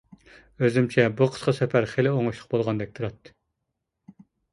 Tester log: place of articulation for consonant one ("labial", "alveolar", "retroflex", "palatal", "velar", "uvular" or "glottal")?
alveolar